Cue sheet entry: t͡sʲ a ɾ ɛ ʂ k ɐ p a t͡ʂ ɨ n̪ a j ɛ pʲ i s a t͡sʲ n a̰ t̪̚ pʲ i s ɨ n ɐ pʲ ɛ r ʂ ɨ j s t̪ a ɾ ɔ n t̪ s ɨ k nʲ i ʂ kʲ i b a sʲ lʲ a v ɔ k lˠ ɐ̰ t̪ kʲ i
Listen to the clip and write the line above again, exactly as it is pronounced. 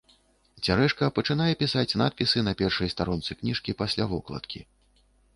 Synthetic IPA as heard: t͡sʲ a ɾ ɛ ʂ k ɐ p ɐ t͡ʂ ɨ n̪ a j ɛ pʲ i s a t͡sʲ n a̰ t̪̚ pʲ i s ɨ n ɐ pʲ ɛ r ʂ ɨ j s t̪ a ɾ ɔ n t̪ s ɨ k nʲ i ʂ kʲ i p a sʲ lʲ a v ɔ k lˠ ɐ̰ t̪ kʲ i